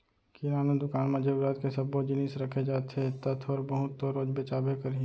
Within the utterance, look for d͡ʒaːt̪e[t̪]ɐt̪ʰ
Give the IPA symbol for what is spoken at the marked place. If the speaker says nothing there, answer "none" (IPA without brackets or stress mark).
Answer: t̪